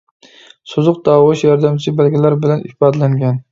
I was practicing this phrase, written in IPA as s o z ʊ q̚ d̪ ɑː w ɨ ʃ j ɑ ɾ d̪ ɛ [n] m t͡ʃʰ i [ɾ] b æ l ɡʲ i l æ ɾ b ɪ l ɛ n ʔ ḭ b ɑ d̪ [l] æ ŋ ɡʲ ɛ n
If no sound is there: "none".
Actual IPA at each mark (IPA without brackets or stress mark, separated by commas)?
none, none, l